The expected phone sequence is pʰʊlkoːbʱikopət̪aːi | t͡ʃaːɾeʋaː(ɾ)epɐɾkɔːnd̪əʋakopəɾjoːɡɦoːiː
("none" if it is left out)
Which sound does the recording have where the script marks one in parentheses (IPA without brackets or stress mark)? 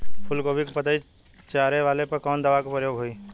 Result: l